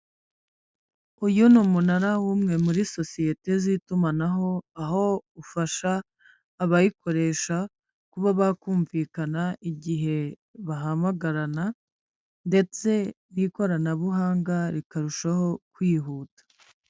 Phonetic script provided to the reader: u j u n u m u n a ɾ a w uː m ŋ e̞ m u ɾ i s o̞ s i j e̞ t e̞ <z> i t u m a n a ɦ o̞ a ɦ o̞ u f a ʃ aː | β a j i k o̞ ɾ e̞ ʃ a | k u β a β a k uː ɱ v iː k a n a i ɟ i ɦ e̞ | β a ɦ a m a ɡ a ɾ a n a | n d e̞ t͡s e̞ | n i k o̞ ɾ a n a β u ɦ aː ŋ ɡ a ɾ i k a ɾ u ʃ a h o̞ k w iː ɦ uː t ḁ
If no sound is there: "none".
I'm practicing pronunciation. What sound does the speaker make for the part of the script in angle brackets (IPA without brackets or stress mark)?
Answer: z